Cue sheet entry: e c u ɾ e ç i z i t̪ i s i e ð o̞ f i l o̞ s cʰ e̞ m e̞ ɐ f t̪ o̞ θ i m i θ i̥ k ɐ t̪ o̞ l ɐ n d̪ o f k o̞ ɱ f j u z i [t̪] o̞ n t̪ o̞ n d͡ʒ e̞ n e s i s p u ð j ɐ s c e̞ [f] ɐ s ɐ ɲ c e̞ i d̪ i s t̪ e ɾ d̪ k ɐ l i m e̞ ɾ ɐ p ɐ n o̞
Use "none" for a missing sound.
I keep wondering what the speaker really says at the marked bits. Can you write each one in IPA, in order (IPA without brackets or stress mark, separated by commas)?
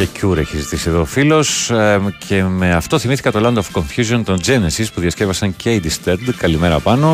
none, v